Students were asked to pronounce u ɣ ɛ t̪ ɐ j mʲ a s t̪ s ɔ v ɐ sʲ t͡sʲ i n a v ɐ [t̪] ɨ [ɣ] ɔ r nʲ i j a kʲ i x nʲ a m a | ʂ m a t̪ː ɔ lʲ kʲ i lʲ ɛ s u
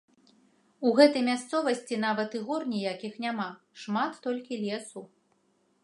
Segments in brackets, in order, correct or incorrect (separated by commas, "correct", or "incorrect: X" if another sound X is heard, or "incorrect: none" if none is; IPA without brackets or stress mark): correct, correct